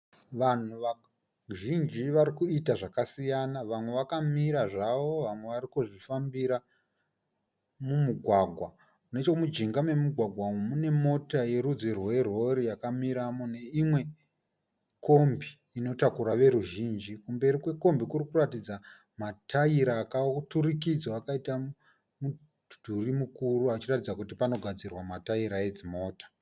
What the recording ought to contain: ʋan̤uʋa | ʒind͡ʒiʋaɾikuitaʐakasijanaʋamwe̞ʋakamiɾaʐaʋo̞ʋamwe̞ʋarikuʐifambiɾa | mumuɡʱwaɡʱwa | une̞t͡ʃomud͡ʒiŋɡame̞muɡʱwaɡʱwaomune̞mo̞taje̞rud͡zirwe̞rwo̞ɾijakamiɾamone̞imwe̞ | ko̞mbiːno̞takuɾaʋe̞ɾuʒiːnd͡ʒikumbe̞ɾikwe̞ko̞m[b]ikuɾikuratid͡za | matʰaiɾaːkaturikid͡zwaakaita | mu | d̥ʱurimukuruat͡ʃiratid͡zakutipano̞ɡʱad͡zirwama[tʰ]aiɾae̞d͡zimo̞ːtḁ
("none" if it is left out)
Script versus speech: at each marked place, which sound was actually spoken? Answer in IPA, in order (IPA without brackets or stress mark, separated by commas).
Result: b, t